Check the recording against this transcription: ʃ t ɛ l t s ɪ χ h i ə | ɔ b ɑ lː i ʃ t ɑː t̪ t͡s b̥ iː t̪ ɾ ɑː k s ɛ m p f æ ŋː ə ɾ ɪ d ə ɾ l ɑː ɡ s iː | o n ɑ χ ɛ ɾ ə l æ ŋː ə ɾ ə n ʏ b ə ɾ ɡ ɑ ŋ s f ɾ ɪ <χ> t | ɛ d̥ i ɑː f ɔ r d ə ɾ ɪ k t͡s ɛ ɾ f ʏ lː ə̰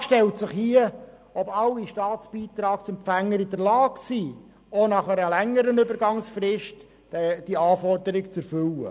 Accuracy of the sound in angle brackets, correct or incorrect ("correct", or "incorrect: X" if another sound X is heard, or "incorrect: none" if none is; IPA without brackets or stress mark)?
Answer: incorrect: ʃ